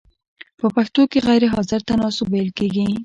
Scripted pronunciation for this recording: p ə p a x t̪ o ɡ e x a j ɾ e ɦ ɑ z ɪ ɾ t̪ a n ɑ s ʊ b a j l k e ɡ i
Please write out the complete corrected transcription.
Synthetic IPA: p ə p a x t̪ o k e ɣ a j ɾ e ɦ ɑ z ɪ ɾ t̪ a n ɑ s ʊ b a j l k e ɡ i